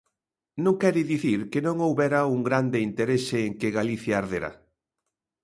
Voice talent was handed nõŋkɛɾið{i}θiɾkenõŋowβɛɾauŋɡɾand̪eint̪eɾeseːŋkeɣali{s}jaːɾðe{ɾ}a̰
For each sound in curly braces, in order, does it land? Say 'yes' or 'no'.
yes, no, yes

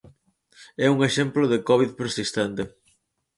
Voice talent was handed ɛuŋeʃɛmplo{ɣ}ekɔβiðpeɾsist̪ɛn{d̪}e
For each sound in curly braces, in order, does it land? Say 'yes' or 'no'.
no, no

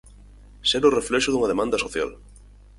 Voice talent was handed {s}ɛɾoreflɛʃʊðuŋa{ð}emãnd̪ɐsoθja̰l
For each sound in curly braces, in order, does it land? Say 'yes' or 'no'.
yes, yes

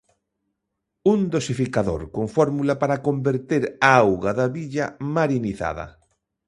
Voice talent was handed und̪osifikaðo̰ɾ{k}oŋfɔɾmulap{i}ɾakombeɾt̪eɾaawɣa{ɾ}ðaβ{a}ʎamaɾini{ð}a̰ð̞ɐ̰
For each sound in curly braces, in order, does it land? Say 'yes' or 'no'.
yes, no, no, no, no

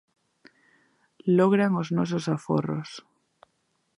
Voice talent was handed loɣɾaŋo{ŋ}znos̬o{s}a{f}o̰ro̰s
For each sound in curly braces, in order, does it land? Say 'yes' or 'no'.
no, yes, yes

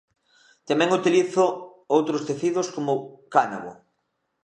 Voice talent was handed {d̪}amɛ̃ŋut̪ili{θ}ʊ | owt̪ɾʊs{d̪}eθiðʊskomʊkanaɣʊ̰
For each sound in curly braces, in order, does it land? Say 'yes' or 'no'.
no, yes, no

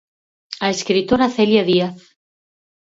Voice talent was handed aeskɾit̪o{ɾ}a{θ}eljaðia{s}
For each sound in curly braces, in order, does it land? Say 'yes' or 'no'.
yes, yes, no

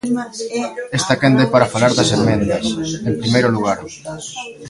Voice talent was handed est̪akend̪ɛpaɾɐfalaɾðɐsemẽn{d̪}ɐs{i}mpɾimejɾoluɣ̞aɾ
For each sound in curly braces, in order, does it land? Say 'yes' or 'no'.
yes, no

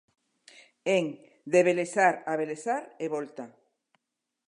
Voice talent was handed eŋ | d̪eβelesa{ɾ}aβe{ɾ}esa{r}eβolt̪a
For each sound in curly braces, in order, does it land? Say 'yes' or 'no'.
yes, no, no

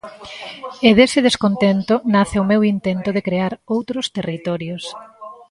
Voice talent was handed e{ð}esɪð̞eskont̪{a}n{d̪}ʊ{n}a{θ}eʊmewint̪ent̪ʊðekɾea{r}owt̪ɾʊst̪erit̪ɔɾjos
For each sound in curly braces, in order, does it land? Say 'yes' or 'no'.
yes, no, no, yes, yes, no

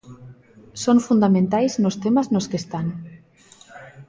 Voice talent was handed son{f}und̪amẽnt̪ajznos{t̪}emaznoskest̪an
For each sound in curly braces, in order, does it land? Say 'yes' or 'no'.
yes, yes

